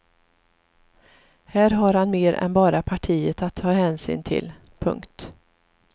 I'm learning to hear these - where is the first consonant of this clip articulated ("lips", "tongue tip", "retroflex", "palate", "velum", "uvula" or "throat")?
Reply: throat